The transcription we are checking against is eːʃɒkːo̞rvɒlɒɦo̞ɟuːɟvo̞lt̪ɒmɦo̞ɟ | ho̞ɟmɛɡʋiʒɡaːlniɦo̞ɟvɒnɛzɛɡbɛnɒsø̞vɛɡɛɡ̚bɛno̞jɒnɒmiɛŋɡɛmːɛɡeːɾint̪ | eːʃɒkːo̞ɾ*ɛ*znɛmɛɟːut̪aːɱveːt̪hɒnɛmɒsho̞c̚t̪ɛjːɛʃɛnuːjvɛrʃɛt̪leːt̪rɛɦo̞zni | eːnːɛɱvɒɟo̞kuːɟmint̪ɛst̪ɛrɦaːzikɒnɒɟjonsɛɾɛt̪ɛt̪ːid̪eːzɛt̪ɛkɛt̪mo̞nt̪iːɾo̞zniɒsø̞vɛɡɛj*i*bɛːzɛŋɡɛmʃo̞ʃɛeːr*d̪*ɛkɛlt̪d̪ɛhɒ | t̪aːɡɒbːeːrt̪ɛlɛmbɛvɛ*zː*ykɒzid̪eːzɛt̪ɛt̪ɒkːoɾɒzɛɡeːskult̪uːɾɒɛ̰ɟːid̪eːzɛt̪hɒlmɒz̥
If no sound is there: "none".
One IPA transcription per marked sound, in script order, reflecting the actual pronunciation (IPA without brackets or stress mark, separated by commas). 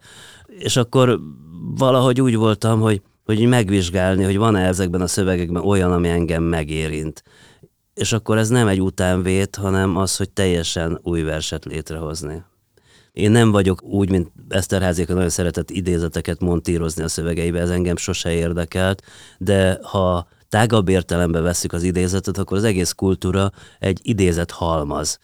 ɛ, i, d̪, sː